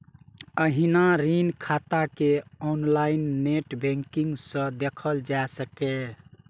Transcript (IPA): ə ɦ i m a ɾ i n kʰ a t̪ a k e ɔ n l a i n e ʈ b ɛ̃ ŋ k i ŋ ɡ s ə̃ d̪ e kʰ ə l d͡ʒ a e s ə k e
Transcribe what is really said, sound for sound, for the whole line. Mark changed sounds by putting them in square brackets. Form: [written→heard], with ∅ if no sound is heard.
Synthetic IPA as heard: ə ɦ i [m→n] a ɾ i n kʰ a t̪ a k e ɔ n l a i [n→nː] e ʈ b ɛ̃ ŋ k i ŋ ɡ s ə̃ d̪ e kʰ ə l d͡ʒ a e s ə k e